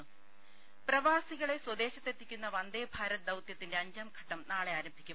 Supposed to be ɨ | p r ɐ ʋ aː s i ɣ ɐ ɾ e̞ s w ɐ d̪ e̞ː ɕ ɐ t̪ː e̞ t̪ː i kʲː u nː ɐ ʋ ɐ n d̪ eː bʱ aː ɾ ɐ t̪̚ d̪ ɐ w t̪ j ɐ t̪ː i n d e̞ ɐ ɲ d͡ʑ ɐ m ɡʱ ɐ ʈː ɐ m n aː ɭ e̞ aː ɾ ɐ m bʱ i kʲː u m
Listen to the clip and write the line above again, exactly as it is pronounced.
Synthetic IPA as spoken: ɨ | p r ɐ ʋ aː s i ɣ ɐ ɭ e̞ s w ɐ d̪ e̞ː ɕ ɐ t̪ː e̞ t̪ː i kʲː u nː ɐ ʋ ɐ n d̪ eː bʱ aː ɾ ɐ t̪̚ d̪ ɐ w t̪ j ɐ t̪ː i n d e̞ ɐ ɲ d͡ʑ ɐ m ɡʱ ɐ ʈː ɐ m n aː ɭ e̞ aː ɾ ɐ m bʱ i kʲː u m